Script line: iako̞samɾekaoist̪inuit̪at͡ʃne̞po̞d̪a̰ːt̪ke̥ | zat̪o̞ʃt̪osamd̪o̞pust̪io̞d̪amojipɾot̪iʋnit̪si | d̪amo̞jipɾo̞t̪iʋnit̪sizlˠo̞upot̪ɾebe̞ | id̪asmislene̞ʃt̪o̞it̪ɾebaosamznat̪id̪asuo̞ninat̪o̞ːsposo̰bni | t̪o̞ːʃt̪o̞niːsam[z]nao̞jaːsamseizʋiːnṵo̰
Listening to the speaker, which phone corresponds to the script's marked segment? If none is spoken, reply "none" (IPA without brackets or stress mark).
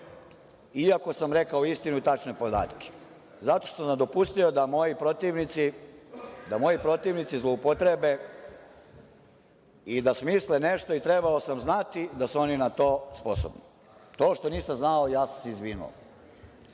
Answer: z